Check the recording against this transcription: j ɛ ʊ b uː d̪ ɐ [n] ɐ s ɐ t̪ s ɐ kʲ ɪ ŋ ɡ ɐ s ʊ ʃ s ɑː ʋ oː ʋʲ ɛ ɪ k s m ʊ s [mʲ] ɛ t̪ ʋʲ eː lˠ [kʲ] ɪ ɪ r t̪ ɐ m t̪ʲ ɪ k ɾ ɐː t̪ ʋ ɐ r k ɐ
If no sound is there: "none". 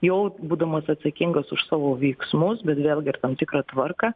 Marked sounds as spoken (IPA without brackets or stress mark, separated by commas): m, bʲ, ɡʲ